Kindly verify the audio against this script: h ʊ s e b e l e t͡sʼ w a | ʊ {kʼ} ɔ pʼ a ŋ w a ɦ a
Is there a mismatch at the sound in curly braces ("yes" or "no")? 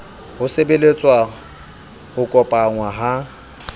no